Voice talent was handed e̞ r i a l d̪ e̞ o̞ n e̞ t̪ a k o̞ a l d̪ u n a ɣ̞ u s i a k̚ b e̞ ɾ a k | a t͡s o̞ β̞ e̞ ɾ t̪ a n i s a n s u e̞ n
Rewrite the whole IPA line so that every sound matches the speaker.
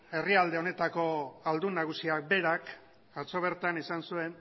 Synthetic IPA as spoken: e̞ r i a l d̪ e̞ o̞ n e̞ t̪ a k o̞ a l d̪ u n a ɣ̞ u s i a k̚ b e̞ ɾ a k | a t͡s o̞ β̞ e̞ ɾ t̪ a n i s a n s u e̞ n